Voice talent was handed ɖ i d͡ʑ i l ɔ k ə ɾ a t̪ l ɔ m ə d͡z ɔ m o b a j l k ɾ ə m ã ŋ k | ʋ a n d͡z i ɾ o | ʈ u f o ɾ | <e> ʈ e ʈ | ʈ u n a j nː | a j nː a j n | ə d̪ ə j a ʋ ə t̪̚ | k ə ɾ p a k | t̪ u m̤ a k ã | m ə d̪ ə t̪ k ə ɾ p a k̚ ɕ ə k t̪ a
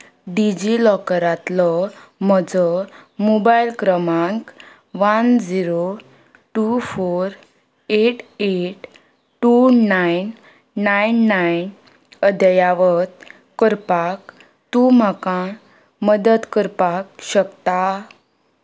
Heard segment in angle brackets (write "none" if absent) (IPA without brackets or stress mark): e